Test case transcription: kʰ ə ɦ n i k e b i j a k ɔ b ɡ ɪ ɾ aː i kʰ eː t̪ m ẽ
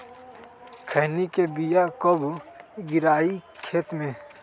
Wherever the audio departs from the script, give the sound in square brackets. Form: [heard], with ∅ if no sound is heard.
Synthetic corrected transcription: kʰ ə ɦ n i k e b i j a k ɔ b ɡ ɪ ɾ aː i kʰ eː t̪ m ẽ